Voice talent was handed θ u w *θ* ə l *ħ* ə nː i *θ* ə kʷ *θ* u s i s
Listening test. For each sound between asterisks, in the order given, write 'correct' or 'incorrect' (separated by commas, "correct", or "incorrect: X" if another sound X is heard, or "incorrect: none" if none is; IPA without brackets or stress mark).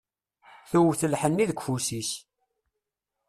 correct, correct, incorrect: ð, incorrect: f